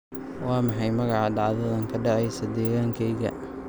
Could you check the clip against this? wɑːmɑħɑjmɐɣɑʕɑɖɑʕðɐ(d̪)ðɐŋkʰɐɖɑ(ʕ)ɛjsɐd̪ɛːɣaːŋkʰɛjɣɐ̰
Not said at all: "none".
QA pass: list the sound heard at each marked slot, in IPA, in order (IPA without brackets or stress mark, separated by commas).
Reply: none, ʕ